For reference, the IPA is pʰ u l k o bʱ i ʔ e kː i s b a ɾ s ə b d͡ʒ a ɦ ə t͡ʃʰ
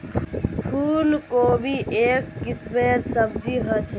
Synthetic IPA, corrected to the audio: pʰ u l k o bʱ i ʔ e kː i s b e ɾ s ə b d͡ʒ i ɦ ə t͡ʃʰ